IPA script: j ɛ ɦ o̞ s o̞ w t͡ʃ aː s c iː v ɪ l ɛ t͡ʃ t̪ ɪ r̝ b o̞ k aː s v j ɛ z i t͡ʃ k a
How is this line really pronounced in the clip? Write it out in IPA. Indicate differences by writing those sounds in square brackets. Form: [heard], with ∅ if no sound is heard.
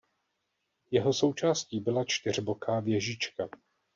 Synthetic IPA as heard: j ɛ ɦ o̞ s o̞ w t͡ʃ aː s c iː [b] ɪ l [a] t͡ʃ t̪ ɪ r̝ b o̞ k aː [∅] v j ɛ [ʒ] i t͡ʃ k a